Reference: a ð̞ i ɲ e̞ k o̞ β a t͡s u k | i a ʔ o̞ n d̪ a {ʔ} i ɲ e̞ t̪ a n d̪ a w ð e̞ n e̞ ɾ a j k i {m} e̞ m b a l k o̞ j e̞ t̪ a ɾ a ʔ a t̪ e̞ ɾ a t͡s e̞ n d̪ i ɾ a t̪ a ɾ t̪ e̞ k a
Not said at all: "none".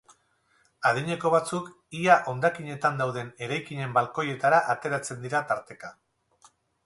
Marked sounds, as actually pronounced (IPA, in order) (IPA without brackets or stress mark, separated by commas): k, ɲ